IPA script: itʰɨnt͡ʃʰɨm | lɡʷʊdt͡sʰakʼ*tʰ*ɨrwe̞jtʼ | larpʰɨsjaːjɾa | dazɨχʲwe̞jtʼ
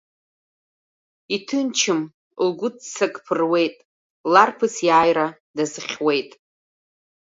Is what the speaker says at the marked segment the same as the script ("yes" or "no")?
no